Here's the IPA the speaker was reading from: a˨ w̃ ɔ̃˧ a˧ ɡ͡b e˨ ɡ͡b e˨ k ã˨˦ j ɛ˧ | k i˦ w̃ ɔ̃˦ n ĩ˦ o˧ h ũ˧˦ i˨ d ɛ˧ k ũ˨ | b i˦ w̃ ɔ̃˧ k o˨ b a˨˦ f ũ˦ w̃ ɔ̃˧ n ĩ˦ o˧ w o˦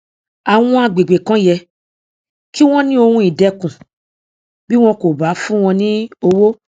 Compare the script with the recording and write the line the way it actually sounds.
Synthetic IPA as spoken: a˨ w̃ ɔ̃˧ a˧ ɡ͡b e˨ ɡ͡b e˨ k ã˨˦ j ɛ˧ | k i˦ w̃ ɔ̃˦ n ĩ˦ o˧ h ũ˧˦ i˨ d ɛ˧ k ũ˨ | b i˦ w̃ ɔ̃˧ k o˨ b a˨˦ f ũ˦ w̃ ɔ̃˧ n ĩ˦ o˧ w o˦

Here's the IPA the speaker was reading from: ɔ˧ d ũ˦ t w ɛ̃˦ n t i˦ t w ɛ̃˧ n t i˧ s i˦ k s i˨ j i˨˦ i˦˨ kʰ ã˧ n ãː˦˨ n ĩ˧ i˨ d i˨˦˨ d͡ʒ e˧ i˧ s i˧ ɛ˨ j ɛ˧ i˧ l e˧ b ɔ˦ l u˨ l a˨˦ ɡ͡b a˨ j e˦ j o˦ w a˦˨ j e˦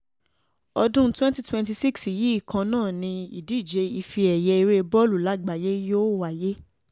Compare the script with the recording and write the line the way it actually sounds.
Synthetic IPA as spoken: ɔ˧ d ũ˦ t w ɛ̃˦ n t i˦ t w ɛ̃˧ n t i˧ s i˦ k s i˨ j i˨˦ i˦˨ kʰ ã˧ n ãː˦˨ n ĩ˧ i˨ d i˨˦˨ d͡ʒ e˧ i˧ f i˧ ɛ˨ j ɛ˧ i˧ ɾ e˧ b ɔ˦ l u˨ l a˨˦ ɡ͡b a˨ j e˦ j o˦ w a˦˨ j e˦

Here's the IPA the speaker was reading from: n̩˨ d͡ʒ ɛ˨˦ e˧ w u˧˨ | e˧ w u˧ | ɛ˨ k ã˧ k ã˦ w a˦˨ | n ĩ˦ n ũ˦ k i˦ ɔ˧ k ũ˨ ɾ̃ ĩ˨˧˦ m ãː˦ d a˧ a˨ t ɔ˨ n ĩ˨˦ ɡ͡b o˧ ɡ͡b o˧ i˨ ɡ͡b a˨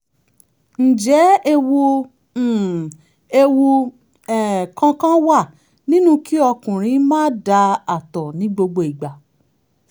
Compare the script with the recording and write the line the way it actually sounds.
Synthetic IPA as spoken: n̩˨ d͡ʒ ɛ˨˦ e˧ w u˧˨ | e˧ w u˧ | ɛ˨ k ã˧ k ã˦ w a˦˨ | n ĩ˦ n ũ˦ k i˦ ɔ˧ k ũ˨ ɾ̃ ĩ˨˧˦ m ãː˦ d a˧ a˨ t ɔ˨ n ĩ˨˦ ɡ͡b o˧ ɡ͡b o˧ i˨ ɡ͡b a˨

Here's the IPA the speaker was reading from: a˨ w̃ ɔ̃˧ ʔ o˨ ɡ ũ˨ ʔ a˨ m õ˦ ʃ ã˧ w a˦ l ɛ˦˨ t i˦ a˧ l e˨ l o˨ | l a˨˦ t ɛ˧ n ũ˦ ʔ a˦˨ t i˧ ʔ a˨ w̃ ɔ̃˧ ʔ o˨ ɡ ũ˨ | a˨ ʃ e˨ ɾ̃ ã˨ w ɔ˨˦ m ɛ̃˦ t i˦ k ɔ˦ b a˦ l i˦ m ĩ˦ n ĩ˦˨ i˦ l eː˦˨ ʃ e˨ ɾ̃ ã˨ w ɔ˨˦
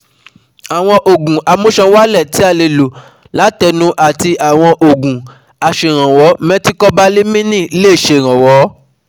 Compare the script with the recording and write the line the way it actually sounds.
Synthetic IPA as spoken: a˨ w̃ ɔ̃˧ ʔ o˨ ɡ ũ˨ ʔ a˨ m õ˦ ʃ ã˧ w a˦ l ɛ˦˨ t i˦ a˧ l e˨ l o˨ | l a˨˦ t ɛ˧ n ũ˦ ʔ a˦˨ t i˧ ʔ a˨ w̃ ɔ̃˧ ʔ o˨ ɡ ũ˨ | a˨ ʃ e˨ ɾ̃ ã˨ w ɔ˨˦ m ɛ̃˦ t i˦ k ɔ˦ b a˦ l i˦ m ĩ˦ n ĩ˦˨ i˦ l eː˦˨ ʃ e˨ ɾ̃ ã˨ w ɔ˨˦

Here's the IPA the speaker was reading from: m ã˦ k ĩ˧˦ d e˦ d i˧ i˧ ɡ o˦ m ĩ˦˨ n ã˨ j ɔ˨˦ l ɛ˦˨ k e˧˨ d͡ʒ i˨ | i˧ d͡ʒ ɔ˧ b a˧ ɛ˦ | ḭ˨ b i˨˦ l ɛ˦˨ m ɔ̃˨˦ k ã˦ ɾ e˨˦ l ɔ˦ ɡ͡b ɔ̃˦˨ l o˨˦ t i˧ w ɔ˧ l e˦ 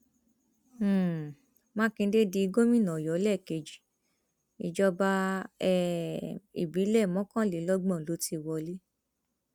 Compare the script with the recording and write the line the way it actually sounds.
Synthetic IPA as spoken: m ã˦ k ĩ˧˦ d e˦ d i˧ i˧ ɡ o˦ m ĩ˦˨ n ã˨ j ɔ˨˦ l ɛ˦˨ k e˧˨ d͡ʒ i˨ | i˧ d͡ʒ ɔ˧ b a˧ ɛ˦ | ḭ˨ b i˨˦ l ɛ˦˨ m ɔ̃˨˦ k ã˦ l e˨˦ l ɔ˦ ɡ͡b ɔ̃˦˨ l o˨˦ t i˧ w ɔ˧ l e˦

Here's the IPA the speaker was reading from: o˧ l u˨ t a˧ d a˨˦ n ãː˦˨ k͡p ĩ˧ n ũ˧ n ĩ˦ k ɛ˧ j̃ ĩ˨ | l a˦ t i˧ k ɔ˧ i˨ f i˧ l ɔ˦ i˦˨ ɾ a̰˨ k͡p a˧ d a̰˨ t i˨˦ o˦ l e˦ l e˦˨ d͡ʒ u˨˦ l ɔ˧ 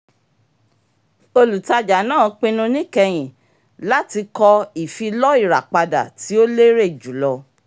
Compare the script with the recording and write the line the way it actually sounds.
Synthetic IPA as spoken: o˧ l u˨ t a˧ d͡ʒ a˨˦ n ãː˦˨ k͡p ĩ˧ n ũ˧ n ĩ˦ k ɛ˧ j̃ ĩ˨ | l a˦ t i˧ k ɔ˧ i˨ f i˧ l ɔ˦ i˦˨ ɾ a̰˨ k͡p a˧ d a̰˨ t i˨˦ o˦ l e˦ ɾ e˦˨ d͡ʒ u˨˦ l ɔ˧

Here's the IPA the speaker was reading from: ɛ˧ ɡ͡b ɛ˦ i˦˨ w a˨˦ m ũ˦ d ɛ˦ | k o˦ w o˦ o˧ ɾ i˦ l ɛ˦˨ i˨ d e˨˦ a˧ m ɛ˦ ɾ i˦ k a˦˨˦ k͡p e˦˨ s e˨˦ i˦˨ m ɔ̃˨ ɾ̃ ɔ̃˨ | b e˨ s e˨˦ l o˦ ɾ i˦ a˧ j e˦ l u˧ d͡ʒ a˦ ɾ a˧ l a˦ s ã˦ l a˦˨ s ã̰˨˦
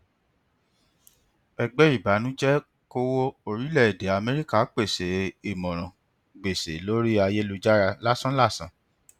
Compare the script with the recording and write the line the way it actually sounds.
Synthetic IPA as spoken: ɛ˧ ɡ͡b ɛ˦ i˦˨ b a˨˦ n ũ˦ d͡ʒ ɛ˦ | k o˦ w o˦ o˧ ɾ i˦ l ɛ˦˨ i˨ d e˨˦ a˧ m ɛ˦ ɾ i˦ k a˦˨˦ k͡p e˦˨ s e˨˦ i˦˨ m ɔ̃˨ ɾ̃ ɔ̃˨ | ɡ͡b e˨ s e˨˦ l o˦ ɾ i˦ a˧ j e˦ l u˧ d͡ʒ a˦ ɾ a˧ l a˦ s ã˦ l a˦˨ s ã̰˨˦

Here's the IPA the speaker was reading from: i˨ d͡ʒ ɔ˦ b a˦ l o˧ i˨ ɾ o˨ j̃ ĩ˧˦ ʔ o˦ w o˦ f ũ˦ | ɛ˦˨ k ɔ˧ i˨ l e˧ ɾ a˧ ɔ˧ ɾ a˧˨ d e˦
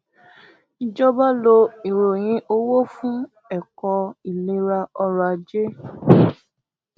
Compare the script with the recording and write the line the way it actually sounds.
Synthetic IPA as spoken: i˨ d͡ʒ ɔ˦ b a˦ l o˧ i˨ ɾ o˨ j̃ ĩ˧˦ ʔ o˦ w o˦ f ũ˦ | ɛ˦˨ k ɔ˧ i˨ l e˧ ɾ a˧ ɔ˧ ɾ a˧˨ d͡ʒ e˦

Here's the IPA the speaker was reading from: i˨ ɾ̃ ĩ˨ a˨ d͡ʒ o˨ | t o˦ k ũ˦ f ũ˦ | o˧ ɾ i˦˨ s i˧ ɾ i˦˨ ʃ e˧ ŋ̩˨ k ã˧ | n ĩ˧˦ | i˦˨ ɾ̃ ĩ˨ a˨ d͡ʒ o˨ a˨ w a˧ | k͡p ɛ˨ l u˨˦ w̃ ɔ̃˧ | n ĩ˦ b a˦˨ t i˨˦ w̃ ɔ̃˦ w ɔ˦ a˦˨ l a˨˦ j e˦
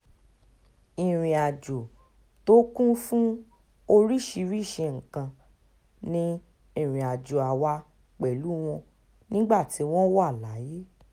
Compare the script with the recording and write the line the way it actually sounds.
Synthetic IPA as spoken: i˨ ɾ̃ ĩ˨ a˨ d͡ʒ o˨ | t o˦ k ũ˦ f ũ˦ | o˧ ɾ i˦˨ ʃ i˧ ɾ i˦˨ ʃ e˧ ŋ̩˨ k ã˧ | n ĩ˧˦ | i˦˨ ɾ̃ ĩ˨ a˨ d͡ʒ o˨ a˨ w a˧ | k͡p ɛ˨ l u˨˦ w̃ ɔ̃˧ | n ĩ˦ ɡ͡b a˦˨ t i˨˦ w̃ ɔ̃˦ w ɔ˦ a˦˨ l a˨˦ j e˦

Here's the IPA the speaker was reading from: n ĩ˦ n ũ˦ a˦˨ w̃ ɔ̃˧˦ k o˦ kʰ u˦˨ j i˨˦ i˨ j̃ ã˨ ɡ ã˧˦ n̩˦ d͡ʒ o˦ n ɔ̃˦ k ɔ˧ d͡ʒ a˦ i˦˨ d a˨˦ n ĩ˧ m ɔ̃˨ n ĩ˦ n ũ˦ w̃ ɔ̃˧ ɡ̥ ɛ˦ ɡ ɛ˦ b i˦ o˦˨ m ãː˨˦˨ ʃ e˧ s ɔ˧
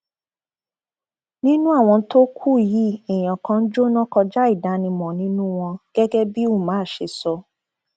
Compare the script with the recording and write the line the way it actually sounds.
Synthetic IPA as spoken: n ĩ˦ n ũ˦ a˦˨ w̃ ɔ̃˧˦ t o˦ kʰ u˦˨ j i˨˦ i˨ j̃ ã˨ k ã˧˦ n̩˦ d͡ʒ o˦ n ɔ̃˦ k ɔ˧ d͡ʒ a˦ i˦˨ d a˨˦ n ĩ˧ m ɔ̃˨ n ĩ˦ n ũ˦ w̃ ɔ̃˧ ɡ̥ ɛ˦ ɡ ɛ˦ b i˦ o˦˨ m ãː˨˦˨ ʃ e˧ s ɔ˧

